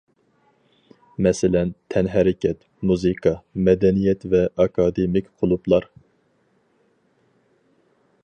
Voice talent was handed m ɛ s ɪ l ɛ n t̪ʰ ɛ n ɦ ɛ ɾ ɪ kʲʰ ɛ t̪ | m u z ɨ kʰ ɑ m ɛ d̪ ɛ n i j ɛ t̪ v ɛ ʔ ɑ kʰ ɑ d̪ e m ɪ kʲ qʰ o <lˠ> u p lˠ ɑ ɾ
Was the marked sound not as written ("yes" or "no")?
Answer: no